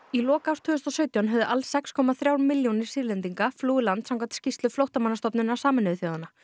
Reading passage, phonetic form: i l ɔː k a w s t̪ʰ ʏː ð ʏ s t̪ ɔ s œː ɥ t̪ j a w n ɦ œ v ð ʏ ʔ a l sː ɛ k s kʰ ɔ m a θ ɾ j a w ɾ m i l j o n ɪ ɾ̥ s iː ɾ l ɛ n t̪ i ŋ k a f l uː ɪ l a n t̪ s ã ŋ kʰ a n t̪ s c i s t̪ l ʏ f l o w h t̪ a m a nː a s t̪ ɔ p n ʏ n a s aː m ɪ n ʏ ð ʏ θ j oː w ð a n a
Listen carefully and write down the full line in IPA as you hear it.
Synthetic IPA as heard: i l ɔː k a w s t̪ʰ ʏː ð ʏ s t̪ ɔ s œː ɥ t̪ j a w n ɦ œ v ð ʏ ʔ a l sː ɛ k s kʰ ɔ m a θ ɾ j a w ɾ m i l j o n ɪ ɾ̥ s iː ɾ l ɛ n t̪ i ŋ k a f l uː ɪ l a n t̪ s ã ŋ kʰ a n t̪ s c i s t̪ l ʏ f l o w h t̪ a m a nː a s t̪ ɔ p n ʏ n a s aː m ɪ n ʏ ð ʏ θ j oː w ð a n a